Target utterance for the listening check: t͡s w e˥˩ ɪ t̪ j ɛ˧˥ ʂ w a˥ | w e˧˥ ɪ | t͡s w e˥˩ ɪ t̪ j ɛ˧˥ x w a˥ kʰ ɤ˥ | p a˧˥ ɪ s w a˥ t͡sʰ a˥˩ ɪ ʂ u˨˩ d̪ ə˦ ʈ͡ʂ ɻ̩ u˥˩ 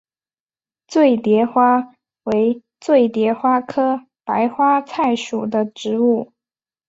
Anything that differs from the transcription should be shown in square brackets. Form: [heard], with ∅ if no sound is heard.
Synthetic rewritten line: t͡s w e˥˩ ɪ t̪ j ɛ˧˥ [x] w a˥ | w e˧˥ ɪ | t͡s w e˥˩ ɪ t̪ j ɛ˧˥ x w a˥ kʰ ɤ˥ | p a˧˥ ɪ [x] w a˥ t͡sʰ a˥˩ ɪ ʂ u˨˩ d̪ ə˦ ʈ͡ʂ ɻ̩ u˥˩